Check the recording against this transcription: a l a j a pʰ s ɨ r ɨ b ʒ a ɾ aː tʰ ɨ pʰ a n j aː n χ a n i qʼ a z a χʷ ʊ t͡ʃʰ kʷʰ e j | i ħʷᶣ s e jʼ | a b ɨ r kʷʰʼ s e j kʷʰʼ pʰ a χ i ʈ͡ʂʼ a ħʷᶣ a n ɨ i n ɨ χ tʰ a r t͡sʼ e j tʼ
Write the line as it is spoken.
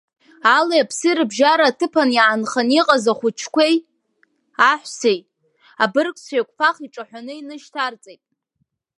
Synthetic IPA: a l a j a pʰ s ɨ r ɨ b ʒ a ɾ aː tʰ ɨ pʰ a n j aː n χ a n i qʼ a z a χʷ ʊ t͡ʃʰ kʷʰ e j | a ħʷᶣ s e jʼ | a b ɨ r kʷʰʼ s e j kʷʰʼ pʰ a χ i ʈ͡ʂʼ a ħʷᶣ a n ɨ i n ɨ ʃ tʰ a r t͡sʼ e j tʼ